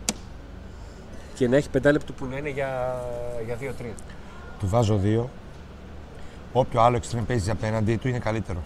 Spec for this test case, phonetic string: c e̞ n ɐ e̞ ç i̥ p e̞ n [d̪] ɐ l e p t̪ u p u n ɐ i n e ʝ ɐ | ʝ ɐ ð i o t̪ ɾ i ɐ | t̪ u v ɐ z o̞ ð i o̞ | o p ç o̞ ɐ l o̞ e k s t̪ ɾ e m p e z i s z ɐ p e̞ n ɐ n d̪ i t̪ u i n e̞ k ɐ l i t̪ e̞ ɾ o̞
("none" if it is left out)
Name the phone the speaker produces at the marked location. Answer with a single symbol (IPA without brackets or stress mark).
d̪